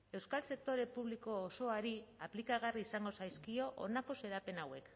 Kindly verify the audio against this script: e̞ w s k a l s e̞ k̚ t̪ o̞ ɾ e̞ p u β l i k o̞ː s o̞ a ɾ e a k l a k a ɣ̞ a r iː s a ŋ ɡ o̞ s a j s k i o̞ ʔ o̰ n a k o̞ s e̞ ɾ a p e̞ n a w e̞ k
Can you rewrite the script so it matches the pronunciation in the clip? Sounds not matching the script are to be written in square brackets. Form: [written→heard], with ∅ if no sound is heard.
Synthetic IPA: e̞ w s k a l s e̞ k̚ t̪ o̞ ɾ e̞ p u β l i k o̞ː s o̞ a ɾ [e→i] a [k→p] l [a→i] k a ɣ̞ a r iː s a ŋ ɡ o̞ s a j s k i o̞ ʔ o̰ n a k o̞ s e̞ ɾ a p e̞ n a w e̞ k